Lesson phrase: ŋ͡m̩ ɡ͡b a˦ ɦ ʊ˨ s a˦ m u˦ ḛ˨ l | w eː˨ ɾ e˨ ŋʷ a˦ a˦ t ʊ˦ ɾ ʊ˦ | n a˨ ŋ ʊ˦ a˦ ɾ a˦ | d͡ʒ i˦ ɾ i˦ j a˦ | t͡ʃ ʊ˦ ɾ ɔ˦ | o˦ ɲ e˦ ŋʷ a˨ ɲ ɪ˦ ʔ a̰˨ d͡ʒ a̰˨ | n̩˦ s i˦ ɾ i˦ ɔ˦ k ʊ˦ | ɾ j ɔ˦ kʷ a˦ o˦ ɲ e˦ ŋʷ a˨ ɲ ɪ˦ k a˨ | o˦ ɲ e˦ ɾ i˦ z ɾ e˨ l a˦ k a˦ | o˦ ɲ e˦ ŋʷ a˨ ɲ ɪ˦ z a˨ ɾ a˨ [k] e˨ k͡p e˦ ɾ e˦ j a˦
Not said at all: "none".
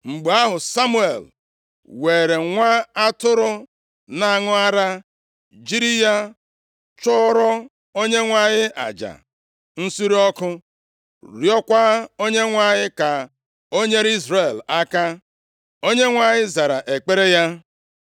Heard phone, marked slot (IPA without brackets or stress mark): ʔ